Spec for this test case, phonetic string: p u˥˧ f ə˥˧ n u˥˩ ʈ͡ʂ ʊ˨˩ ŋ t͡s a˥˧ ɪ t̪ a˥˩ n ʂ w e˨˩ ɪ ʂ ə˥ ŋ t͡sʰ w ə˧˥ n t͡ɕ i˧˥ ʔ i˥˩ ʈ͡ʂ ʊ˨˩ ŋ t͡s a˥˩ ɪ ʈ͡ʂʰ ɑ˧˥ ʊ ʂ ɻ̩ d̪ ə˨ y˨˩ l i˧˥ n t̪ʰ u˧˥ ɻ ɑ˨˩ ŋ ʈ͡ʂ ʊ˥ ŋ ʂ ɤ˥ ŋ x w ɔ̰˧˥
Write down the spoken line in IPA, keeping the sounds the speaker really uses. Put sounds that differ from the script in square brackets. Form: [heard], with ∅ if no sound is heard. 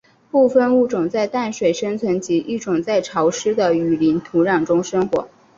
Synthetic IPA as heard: p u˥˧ f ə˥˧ n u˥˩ ʈ͡ʂ ʊ˨˩ ŋ t͡s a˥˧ ɪ t̪ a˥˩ n ʂ w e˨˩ ɪ ʂ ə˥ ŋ t͡sʰ w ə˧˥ n t͡ɕ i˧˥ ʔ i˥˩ ʈ͡ʂ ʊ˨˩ ŋ t͡s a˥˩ ɪ ʈ͡ʂʰ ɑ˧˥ ʊ ʂ ɻ̩ d̪ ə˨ y˨˩ l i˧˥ n t̪ʰ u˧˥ ɻ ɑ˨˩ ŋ ʈ͡ʂ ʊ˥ ŋ ʂ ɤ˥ ŋ x w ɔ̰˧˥